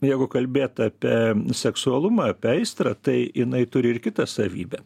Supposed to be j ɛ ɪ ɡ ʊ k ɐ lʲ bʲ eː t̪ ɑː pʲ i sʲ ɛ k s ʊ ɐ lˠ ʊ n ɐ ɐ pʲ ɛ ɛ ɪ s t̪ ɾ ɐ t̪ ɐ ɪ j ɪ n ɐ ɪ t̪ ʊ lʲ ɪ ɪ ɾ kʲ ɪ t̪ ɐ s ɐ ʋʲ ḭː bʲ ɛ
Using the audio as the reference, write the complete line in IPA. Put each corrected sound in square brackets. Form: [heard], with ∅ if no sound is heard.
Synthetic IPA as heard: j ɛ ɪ ɡ ʊ k ɐ lʲ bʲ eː t̪ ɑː pʲ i sʲ ɛ k s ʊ ɐ lˠ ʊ [m] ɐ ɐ pʲ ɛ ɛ ɪ s t̪ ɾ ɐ t̪ ɐ ɪ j ɪ n ɐ ɪ t̪ ʊ [ɾʲ] ɪ ɪ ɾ kʲ ɪ t̪ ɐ s ɐ ʋʲ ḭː bʲ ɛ